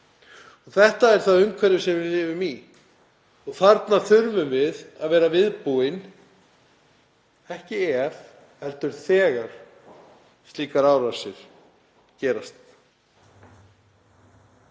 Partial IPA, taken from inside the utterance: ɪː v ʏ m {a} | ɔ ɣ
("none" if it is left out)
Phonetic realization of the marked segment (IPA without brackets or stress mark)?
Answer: i